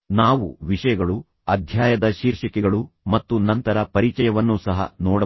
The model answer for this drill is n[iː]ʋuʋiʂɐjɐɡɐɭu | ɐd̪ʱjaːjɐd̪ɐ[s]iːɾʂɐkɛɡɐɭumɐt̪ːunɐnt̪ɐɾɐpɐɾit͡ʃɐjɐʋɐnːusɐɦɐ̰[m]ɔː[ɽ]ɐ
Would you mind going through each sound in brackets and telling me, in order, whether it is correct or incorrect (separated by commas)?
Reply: incorrect, incorrect, incorrect, correct